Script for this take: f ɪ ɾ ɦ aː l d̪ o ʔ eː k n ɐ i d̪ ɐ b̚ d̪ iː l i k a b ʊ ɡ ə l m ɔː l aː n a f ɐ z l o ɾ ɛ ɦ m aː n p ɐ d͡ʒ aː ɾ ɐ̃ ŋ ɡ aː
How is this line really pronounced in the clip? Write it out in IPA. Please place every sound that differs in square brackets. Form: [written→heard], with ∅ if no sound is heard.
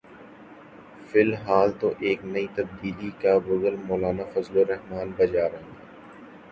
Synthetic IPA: f ɪ [ɾ→l] ɦ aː l [d̪→t̪] o ʔ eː k n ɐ i [d̪→t̪] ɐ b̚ d̪ iː l i k a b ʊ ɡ ə l m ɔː l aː n a f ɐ z l o ɾ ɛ ɦ m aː n [p→b] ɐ d͡ʒ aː ɾ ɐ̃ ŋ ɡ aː